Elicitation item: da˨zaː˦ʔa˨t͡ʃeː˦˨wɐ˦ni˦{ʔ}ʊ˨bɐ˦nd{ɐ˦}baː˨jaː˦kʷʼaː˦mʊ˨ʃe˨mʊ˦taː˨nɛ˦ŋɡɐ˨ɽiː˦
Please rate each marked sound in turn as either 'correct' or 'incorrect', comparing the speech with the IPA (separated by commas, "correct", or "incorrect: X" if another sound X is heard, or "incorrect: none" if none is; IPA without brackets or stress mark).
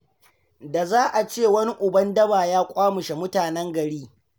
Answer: correct, correct